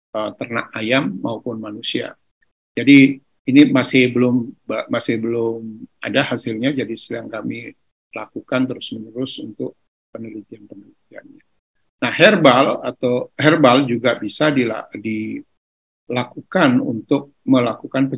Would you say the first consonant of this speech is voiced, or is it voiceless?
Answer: voiceless